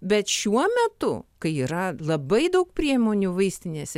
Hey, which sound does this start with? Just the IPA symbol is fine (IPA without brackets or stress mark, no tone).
bʲ